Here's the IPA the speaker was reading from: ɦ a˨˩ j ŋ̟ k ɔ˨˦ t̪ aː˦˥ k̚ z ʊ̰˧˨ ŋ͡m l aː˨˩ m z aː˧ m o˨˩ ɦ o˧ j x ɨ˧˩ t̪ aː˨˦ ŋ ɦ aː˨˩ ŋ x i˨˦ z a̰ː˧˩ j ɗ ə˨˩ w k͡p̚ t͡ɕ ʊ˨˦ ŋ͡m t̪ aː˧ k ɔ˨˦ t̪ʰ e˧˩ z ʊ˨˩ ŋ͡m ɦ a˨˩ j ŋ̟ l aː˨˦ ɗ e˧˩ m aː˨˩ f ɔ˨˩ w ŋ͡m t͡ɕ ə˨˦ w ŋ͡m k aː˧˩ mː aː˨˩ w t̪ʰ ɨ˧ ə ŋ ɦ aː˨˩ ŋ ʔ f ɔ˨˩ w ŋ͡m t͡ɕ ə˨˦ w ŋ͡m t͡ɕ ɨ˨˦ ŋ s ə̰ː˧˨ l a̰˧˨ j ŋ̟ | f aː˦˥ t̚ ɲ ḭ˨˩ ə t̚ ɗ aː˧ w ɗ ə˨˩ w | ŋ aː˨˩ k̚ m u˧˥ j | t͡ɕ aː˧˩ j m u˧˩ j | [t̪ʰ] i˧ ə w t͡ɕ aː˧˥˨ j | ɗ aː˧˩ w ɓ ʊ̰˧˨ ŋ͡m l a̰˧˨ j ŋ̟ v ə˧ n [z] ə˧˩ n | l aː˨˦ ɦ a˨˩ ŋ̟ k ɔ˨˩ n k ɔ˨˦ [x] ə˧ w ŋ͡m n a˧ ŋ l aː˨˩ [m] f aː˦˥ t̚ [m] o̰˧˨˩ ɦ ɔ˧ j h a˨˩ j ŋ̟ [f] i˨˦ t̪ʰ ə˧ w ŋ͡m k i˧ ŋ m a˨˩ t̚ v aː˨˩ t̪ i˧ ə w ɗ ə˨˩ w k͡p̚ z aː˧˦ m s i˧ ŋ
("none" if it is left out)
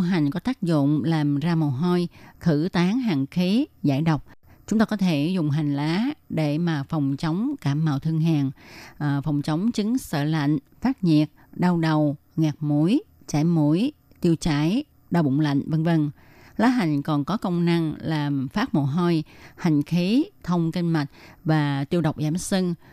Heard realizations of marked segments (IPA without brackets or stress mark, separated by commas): t̪, v, k, m, m, x